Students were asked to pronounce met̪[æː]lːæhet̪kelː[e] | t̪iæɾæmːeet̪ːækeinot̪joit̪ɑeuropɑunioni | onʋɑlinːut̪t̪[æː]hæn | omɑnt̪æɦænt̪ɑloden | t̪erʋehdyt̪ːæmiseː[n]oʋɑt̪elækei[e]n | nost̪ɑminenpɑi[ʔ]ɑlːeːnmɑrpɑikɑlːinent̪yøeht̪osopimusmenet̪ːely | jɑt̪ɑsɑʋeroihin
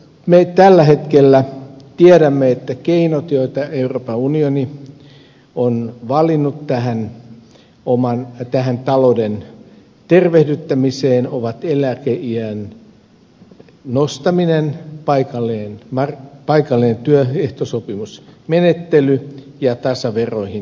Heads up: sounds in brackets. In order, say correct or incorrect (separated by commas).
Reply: incorrect, incorrect, incorrect, correct, incorrect, incorrect